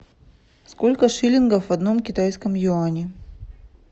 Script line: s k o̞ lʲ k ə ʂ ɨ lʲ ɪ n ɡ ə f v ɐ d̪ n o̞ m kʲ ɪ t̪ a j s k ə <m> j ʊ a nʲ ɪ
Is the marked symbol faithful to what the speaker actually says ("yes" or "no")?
yes